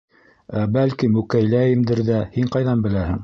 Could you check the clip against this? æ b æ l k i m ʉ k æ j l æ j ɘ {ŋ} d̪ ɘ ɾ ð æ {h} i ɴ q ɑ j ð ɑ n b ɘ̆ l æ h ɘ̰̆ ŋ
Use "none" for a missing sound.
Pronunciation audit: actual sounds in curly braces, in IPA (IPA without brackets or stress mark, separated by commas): m, h